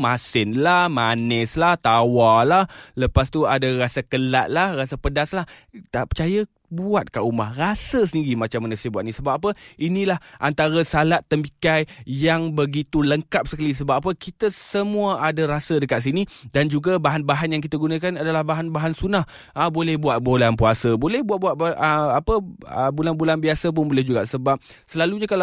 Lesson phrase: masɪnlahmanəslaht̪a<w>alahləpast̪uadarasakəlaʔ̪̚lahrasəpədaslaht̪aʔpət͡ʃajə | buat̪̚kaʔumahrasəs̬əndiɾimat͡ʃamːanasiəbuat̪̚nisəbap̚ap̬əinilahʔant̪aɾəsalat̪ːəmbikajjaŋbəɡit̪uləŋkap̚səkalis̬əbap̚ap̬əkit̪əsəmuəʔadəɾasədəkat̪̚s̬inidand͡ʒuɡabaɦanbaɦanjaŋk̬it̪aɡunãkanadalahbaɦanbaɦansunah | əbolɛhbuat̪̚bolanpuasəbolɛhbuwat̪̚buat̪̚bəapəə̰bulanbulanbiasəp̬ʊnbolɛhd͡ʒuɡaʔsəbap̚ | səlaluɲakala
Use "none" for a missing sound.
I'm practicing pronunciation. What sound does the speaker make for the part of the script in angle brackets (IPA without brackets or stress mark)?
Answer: w